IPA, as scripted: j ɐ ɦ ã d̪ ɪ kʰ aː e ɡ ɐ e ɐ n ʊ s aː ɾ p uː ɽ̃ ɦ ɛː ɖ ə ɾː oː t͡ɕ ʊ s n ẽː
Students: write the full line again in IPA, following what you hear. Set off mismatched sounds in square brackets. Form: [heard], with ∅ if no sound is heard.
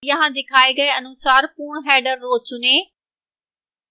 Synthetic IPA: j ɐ ɦ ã d̪ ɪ kʰ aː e ɡ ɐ e ɐ n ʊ s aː ɾ p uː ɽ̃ ɦ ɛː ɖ ə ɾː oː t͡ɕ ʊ [∅] n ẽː

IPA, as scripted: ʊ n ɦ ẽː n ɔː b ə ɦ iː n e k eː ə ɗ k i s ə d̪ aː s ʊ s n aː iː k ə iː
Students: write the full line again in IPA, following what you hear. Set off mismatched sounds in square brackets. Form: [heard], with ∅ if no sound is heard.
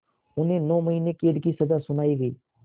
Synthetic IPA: ʊ n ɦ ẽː n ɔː [m] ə ɦ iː n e k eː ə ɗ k i s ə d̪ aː s ʊ [∅] n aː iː [ɡ] ə iː

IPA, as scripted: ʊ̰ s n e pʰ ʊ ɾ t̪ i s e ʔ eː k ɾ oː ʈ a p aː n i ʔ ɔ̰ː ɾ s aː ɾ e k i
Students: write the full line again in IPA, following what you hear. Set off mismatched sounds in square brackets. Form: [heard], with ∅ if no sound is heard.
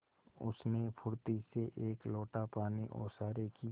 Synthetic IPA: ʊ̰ s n e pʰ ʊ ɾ t̪ i s e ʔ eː k [l] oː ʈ a p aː n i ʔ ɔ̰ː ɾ s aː ɾ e k i

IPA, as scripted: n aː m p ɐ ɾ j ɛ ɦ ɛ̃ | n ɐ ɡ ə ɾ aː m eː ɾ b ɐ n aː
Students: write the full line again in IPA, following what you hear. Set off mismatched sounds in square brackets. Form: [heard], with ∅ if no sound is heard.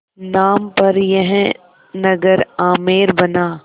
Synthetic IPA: n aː m p ɐ ɾ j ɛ ɦ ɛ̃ | n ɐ ɡ ə ɾ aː m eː ɾ b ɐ n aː

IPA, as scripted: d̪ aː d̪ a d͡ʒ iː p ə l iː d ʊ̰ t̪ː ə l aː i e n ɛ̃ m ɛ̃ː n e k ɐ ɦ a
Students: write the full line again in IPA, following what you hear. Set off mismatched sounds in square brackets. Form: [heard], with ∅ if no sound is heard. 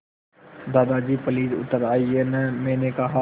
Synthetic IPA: d̪ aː d̪ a d͡ʒ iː p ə l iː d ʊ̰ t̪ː ə [ɾ] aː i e n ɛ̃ m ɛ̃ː n e k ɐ ɦ a

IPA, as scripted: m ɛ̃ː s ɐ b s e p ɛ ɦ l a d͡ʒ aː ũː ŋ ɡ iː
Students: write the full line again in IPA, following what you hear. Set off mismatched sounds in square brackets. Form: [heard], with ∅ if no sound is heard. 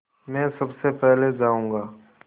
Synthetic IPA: m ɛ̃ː s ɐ b s e p ɛ ɦ l [e] d͡ʒ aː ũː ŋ ɡ [aː]

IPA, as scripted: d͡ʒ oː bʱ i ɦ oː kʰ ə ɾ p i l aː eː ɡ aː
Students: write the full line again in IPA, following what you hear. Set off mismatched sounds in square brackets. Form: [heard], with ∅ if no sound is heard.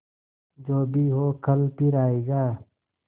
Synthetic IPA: d͡ʒ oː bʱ i ɦ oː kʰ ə [l] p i [ɾ] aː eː ɡ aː

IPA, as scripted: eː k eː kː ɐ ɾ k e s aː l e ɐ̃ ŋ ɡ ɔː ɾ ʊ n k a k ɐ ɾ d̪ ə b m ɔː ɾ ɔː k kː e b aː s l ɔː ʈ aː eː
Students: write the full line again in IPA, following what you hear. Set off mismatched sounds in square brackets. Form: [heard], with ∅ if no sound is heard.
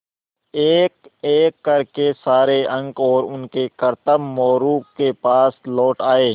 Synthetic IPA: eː k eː kː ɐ ɾ k e s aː [ɾ] e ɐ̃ ŋ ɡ ɔː ɾ ʊ n k [e] k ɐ ɾ [t̪] ə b m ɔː ɾ [uː] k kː e [p] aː s l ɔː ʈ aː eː

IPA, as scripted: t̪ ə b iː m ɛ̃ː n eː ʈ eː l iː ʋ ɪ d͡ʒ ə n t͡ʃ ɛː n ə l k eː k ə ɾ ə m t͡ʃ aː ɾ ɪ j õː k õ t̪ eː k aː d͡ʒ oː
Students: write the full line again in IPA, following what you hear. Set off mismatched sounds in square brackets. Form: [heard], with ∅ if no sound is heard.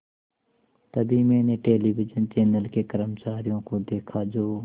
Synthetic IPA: t̪ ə b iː m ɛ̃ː n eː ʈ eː l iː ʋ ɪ d͡ʒ ə n t͡ʃ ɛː n ə l k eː k ə ɾ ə m t͡ʃ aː ɾ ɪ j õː k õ [d̪] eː [kʰ] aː d͡ʒ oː

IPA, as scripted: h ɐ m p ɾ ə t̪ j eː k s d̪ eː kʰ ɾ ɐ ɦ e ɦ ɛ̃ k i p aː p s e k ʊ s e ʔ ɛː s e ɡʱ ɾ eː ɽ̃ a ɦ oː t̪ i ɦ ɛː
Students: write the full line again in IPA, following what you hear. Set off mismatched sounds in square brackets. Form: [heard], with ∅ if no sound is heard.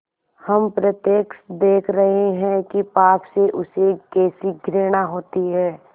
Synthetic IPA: h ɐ m p ɾ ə t̪ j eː k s d̪ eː kʰ ɾ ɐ ɦ e ɦ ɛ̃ k i p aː p s e [ʔ] ʊ s e [k] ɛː s [i] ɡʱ ɾ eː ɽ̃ a ɦ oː t̪ i ɦ ɛː

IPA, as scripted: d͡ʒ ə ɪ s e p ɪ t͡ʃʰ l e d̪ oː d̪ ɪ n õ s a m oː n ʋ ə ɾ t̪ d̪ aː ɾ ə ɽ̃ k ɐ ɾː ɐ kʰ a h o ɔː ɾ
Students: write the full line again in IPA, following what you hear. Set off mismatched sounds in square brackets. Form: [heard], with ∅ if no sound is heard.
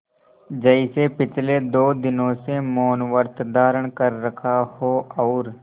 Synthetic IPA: d͡ʒ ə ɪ s e p ɪ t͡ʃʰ l e d̪ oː d̪ ɪ n õ s [e] m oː n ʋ ə ɾ t̪ d̪ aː ɾ ə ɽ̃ k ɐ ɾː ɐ kʰ a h o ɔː ɾ

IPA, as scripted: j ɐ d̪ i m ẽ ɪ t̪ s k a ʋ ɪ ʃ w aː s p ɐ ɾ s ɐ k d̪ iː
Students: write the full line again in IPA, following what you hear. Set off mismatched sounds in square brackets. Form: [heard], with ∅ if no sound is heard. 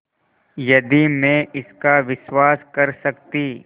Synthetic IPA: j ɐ d̪ i m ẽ ɪ [∅] s k a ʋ ɪ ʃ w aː s [k] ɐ ɾ s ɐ k [t̪] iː

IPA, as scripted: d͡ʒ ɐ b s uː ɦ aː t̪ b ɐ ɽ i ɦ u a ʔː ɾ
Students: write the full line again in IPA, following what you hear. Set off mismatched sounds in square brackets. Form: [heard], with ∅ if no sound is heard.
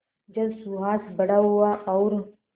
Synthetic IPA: d͡ʒ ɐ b s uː ɦ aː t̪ b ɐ ɽ [a] ɦ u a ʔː ɾ

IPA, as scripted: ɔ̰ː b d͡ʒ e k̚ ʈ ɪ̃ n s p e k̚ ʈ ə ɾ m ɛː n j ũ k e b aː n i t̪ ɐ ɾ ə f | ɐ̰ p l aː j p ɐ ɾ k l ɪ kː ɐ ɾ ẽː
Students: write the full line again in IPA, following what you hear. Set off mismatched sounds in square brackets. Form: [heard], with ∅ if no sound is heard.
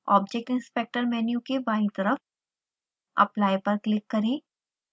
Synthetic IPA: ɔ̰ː b d͡ʒ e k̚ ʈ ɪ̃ n s p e k̚ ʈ ə ɾ m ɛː n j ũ k e b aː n i t̪ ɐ ɾ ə f | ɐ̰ p l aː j p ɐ ɾ k l ɪ kː ɐ ɾ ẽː

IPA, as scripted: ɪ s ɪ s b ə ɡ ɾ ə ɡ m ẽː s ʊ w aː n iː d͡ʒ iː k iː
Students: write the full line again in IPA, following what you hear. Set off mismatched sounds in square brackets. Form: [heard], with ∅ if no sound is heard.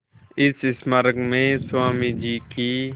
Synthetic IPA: ɪ s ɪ s [m] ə [∅] ɾ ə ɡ m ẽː s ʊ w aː [m] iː d͡ʒ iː k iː

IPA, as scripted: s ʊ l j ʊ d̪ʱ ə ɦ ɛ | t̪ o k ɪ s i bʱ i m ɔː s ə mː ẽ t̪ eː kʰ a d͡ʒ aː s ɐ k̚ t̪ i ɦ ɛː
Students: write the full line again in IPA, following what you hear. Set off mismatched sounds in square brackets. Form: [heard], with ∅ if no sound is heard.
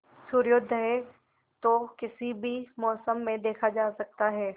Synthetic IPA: s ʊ [ɾ] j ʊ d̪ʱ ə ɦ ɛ | t̪ o k ɪ s i bʱ i m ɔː s ə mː ẽ [d̪] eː kʰ a d͡ʒ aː s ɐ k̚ t̪ [a] ɦ ɛː

